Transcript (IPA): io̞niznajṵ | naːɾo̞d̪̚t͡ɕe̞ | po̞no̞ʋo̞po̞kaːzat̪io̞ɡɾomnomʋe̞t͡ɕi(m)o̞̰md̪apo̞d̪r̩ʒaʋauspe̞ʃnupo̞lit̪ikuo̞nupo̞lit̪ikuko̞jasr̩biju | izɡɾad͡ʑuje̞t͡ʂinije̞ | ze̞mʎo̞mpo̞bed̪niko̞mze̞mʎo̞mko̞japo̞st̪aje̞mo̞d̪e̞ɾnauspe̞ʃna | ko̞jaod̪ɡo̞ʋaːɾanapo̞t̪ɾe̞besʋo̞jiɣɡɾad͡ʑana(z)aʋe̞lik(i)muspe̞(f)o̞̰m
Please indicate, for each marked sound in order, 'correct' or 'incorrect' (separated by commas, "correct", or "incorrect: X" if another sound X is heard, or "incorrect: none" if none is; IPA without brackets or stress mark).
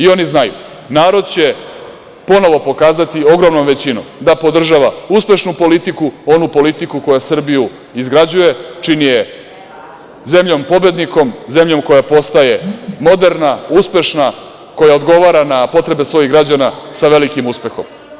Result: incorrect: n, incorrect: s, correct, incorrect: x